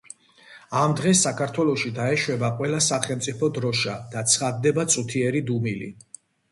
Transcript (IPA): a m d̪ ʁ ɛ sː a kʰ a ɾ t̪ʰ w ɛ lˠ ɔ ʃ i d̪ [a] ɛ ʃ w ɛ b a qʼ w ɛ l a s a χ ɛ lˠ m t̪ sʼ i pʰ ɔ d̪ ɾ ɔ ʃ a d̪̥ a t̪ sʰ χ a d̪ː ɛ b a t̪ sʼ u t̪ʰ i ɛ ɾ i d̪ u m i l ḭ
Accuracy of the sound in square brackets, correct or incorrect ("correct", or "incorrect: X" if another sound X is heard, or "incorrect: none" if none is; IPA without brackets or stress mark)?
correct